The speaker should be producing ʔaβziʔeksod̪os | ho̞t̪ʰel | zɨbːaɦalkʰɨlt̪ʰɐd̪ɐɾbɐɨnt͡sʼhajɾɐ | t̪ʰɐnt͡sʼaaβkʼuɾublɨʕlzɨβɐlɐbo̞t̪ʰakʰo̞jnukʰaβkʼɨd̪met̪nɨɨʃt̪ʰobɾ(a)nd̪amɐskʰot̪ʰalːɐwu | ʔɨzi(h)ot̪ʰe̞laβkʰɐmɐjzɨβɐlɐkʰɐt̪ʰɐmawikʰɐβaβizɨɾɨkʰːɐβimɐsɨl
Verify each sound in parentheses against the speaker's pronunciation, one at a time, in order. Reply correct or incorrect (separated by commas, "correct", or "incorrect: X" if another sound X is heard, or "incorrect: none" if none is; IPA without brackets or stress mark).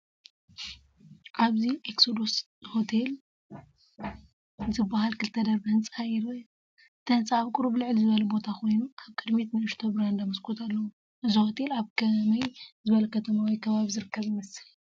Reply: correct, correct